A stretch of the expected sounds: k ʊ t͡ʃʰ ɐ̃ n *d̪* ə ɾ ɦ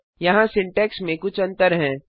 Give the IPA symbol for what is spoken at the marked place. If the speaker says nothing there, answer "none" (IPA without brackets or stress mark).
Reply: t̪